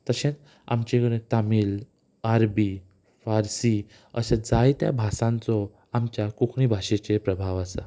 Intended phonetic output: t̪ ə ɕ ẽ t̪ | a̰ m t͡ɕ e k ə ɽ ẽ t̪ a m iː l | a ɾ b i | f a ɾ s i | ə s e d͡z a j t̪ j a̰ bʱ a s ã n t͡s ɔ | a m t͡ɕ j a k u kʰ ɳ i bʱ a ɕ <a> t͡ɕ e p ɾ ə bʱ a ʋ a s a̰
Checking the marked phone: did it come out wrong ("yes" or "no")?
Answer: yes